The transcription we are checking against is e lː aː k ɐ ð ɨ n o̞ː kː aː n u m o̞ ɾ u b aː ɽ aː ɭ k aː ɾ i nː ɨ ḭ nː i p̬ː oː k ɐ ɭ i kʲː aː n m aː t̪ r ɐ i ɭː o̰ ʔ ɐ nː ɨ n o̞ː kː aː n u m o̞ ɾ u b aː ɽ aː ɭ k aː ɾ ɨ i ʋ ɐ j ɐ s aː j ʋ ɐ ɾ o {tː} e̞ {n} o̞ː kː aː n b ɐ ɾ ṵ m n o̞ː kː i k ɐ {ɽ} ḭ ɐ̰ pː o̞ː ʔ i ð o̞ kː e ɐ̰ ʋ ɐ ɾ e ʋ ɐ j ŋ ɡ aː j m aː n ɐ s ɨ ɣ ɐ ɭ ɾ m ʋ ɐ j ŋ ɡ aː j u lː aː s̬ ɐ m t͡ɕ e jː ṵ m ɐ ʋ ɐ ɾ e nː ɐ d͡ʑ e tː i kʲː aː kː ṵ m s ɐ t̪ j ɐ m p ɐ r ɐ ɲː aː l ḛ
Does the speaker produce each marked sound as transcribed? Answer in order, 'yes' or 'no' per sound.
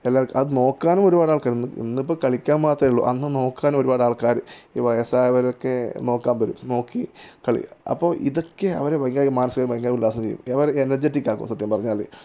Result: no, yes, no

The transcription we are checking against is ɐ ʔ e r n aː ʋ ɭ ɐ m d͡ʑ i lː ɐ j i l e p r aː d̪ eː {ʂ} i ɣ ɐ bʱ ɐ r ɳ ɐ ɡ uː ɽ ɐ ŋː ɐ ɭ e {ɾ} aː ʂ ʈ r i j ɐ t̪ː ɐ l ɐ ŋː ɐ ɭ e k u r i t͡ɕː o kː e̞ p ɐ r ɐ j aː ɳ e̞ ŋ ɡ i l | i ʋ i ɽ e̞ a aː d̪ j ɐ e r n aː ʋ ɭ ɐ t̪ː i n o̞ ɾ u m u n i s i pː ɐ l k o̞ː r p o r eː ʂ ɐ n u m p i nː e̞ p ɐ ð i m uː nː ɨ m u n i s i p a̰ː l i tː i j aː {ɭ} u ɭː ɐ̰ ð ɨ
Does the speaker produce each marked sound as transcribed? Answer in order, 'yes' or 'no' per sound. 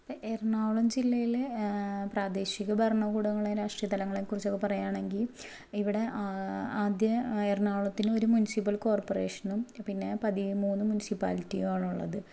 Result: no, yes, yes

